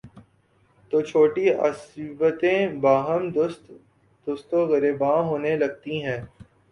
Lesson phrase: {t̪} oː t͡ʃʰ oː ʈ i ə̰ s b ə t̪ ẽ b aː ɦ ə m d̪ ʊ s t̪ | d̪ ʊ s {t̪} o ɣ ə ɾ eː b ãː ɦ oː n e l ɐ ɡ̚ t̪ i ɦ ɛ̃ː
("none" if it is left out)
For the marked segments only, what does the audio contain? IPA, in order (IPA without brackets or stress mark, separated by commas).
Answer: t̪, t̪